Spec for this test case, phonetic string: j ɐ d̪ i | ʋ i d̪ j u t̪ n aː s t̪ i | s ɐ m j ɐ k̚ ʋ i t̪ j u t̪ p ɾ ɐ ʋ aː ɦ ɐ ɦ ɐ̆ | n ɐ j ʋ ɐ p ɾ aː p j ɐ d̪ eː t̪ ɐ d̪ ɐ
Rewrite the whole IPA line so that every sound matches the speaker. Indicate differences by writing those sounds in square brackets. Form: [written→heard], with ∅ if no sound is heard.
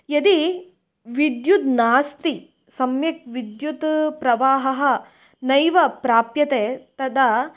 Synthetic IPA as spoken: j ɐ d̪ i | ʋ i d̪ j u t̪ n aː s t̪ i | s ɐ m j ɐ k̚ ʋ i [t̪→d̪] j u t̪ p ɾ ɐ ʋ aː ɦ ɐ ɦ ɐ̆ | n ɐ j ʋ ɐ p ɾ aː p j ɐ [d̪→t̪] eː t̪ ɐ d̪ ɐ